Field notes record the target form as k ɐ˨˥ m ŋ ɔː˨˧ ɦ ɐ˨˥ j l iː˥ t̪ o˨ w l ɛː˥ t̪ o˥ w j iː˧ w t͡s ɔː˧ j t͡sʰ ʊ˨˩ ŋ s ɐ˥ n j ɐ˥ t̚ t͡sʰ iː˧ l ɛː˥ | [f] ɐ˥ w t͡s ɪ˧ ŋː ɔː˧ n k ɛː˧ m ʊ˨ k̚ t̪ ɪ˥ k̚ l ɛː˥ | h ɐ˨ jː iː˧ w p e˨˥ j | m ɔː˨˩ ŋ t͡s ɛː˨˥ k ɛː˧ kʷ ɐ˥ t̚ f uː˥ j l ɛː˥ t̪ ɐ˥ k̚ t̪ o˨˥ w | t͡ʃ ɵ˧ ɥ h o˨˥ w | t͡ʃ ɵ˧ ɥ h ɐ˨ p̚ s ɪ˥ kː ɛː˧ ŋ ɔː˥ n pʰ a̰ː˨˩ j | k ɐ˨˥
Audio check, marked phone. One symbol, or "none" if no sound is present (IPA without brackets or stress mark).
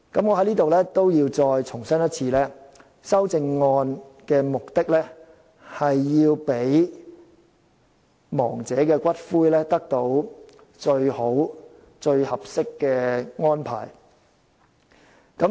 s